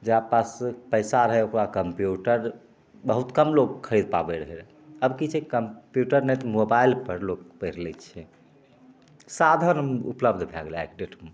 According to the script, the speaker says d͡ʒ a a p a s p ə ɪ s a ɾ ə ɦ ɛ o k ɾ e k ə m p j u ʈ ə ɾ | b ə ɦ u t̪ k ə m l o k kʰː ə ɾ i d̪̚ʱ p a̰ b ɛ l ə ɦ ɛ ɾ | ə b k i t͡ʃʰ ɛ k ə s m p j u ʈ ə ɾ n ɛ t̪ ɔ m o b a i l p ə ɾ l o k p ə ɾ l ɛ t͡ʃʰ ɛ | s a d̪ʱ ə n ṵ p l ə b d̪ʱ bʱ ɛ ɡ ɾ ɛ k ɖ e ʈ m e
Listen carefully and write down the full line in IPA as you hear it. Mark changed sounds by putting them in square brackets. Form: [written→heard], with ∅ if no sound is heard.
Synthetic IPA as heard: d͡ʒ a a p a s p ə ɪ s a ɾ ə ɦ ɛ o k ɾ [e→a] k ə m p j u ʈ ə ɾ | b ə ɦ u t̪ k ə m l o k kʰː ə ɾ i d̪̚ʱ p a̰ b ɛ [l→ɾ] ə ɦ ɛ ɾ | ə b k i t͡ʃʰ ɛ k ə [s→∅] m p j u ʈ ə ɾ n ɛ t̪ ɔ m o b a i l p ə ɾ l o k p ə ɾ l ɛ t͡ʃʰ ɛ | s a d̪ʱ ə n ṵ p l ə b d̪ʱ bʱ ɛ ɡ [ɾ→l] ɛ k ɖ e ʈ m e